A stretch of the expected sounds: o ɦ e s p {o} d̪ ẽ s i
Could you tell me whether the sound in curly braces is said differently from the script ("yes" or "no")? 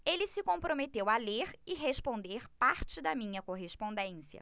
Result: yes